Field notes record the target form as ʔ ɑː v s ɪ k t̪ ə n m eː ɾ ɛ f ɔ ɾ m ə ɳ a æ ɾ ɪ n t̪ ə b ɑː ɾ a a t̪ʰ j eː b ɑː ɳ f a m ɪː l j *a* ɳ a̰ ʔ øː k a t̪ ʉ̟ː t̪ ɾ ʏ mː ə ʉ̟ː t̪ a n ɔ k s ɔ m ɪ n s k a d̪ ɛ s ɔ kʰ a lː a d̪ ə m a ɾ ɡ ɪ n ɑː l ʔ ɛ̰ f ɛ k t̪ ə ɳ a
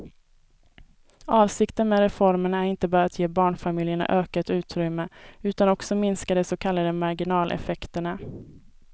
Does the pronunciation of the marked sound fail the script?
yes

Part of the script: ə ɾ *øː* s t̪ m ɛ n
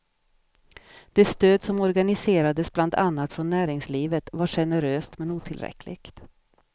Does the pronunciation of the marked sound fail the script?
no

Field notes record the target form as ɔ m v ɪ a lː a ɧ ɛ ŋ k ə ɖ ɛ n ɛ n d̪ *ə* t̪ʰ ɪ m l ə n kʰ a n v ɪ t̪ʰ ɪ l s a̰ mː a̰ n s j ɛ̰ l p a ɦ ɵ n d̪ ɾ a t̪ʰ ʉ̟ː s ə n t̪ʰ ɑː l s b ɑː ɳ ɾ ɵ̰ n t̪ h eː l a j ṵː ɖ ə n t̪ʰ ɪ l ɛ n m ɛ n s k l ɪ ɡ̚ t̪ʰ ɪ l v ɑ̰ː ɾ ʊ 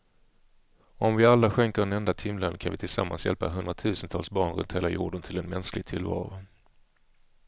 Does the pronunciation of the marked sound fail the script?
yes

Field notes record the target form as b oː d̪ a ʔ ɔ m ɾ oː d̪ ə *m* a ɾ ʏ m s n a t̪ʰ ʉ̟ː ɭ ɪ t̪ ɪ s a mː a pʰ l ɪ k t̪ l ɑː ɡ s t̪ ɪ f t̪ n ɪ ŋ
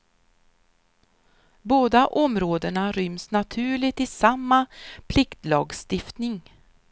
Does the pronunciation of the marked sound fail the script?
yes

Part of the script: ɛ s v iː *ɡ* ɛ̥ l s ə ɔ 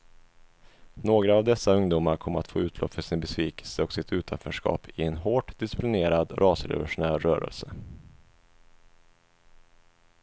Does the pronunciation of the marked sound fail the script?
yes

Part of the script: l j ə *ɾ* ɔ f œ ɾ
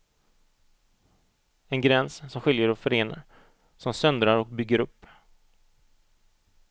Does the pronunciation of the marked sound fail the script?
no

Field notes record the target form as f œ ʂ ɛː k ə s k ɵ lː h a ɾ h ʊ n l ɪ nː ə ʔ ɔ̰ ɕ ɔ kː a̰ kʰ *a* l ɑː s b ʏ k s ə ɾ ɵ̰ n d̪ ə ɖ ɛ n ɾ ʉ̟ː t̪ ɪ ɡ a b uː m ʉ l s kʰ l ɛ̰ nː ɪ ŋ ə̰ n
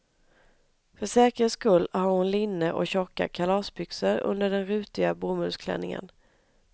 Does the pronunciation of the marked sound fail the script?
no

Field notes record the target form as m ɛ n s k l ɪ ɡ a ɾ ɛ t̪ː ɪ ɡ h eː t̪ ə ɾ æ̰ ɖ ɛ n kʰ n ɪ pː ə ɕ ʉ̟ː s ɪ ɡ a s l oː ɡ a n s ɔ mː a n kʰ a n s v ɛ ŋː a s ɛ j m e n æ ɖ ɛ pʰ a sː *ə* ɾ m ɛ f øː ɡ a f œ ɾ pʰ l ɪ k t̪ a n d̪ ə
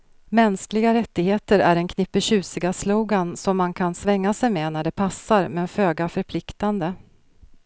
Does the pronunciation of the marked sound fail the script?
yes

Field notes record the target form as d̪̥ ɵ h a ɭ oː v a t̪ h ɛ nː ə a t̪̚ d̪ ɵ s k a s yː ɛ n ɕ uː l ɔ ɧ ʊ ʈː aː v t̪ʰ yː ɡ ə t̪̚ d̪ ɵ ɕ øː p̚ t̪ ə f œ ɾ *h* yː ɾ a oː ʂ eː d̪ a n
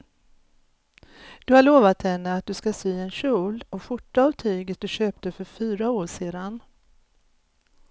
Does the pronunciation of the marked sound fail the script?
yes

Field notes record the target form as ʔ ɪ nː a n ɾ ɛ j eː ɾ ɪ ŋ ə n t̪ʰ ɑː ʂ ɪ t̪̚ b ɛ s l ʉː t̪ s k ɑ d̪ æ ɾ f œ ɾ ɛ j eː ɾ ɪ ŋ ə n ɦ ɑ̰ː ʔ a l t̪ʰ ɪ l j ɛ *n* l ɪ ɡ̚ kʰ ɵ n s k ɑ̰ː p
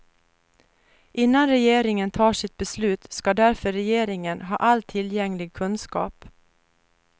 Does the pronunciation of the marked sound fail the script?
yes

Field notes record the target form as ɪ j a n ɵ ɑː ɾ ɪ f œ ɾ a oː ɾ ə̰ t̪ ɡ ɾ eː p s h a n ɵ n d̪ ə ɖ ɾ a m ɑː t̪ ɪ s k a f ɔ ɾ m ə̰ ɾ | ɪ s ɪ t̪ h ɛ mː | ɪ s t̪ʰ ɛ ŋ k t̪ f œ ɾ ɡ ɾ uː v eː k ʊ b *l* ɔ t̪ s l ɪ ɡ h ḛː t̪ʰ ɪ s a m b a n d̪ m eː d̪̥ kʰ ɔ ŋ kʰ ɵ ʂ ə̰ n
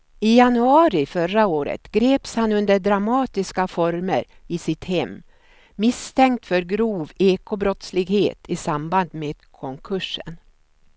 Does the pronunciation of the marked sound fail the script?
yes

